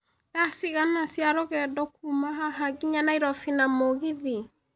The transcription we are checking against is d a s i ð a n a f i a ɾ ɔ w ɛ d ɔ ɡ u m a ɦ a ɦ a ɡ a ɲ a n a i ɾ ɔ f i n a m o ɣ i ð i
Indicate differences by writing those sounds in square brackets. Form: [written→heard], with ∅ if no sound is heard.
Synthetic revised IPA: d a s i [ð→ɣ] a n a [f→s] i a ɾ ɔ [w→ɣ] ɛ d ɔ [ɡ→k] u m a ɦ a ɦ a ɡ [a→i] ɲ a n a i ɾ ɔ f i n a m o ɣ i ð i